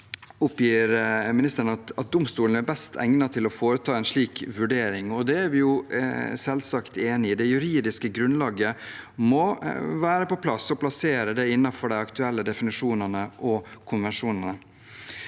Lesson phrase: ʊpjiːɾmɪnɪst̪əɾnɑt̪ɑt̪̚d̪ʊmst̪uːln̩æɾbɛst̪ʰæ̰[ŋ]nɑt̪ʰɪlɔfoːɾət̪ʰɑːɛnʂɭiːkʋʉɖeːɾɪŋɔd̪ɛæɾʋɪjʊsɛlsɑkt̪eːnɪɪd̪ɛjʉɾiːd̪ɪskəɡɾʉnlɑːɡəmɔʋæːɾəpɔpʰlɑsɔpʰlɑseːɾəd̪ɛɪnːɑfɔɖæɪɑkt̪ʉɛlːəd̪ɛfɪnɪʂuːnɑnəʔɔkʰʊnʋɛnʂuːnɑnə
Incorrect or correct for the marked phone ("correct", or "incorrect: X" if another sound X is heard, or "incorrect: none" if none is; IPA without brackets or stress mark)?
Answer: correct